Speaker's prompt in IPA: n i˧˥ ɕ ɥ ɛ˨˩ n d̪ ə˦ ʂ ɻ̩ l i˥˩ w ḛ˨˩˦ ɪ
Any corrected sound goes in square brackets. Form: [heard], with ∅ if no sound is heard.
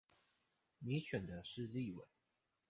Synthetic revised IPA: [m] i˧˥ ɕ ɥ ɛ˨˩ n d̪ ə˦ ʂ ɻ̩ l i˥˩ w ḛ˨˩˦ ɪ